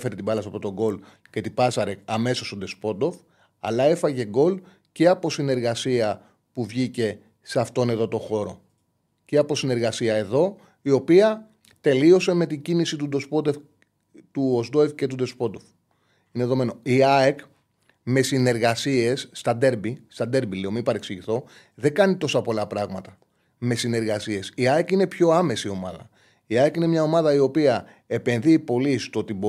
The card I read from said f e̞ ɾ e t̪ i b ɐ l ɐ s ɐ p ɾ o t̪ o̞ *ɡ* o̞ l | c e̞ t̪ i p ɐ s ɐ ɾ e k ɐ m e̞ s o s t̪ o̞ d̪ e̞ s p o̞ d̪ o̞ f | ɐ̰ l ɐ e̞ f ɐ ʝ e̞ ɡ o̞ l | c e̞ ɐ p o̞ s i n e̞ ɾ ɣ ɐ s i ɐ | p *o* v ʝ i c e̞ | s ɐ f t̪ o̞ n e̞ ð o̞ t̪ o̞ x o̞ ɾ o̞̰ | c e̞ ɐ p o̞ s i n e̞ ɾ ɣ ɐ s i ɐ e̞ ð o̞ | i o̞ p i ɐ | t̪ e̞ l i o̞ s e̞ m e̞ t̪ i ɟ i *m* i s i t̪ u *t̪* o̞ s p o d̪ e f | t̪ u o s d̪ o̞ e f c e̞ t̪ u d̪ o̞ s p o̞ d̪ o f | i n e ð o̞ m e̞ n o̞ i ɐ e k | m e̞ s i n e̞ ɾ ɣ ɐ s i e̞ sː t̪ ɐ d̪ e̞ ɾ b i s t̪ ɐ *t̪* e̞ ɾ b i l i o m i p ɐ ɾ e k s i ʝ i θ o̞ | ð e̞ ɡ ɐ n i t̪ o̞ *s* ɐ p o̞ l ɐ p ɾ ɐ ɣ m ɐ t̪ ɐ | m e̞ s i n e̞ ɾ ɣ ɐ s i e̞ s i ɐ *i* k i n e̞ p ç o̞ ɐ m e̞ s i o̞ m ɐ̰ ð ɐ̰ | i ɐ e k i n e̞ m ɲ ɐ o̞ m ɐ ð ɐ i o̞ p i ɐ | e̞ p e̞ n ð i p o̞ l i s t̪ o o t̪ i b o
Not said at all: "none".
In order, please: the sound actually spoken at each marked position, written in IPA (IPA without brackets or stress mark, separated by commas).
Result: ɡ, u, n, d̪, d̪, s, e